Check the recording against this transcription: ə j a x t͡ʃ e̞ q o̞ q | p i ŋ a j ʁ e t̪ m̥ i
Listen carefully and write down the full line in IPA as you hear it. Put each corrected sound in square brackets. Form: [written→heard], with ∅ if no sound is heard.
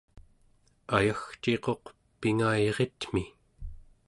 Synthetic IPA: [ə→a] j a x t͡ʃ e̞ q o̞ q | p i ŋ a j ʁ e t̪ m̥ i